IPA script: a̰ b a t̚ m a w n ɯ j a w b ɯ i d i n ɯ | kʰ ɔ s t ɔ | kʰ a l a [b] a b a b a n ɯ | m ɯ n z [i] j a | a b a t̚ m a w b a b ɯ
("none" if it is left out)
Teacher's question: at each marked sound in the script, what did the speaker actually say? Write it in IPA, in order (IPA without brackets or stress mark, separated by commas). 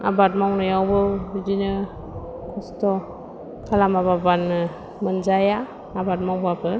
m, a